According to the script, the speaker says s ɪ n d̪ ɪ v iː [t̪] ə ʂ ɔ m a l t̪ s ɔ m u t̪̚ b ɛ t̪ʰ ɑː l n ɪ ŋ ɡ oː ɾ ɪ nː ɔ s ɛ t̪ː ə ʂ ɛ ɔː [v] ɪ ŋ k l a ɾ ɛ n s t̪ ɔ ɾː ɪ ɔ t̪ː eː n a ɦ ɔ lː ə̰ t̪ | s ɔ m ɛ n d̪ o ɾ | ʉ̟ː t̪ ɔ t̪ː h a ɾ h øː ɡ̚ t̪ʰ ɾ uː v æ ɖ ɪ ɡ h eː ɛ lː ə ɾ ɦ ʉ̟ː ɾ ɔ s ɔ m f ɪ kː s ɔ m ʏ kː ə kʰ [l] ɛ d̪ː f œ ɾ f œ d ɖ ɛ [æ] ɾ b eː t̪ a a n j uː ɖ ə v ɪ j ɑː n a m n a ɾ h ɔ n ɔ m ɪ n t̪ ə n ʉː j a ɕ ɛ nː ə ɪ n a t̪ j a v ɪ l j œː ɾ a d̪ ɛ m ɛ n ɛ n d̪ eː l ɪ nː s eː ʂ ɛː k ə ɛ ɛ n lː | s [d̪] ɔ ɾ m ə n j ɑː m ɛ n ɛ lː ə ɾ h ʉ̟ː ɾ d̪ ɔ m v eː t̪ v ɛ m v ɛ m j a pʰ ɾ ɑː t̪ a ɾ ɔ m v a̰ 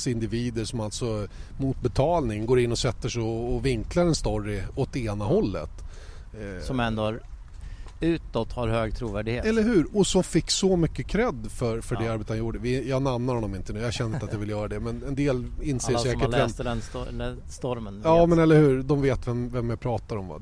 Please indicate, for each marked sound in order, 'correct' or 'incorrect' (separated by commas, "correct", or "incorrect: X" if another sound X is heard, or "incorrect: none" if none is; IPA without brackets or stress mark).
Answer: incorrect: d̪, correct, incorrect: ɾ, incorrect: a, incorrect: t̪